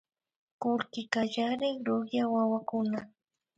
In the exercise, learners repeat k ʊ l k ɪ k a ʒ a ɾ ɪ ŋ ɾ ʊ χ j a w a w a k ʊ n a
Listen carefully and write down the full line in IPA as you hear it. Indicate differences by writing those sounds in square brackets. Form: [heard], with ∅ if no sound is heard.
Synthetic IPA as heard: k ʊ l k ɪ k a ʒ a ɾ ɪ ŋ ɾ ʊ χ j a w a w a k ʊ n a